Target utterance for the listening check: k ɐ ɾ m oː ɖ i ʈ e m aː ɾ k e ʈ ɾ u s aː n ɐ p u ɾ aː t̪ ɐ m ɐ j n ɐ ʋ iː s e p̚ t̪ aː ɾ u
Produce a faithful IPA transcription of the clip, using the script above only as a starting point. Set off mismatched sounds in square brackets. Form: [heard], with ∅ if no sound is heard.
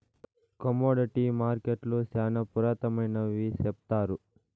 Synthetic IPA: k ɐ [∅] m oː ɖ i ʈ [i] m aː ɾ k e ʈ [l] u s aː n ɐ p u ɾ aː t̪ ɐ m ɐ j n ɐ ʋ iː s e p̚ t̪ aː ɾ u